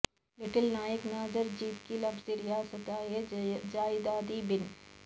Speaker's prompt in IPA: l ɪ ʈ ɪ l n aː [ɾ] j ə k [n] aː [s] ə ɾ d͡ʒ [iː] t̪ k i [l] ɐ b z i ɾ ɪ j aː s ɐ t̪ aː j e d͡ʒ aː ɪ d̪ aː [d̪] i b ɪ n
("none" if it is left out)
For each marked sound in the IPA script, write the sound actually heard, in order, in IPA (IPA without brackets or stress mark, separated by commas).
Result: none, n, z, iː, l, d̪